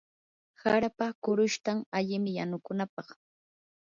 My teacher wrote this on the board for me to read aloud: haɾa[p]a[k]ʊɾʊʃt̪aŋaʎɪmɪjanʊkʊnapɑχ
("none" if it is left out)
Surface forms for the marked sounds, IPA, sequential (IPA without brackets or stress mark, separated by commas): p, k